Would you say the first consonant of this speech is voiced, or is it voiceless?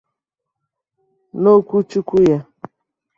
voiced